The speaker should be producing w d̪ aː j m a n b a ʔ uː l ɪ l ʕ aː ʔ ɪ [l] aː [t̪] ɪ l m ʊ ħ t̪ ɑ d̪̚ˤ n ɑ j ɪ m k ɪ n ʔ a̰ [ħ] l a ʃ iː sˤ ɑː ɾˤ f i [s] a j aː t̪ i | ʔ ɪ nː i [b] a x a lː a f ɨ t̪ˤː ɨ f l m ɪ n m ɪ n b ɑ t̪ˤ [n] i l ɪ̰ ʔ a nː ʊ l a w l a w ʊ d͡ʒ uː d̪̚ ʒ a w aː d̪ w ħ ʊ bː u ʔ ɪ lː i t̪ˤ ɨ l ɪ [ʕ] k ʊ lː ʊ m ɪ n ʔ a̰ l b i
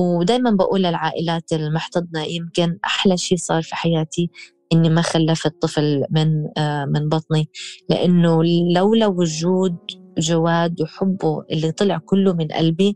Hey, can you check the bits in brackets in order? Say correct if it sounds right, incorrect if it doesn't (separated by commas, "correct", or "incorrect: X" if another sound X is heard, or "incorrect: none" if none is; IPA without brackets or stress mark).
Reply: correct, correct, correct, incorrect: ħ, incorrect: m, correct, correct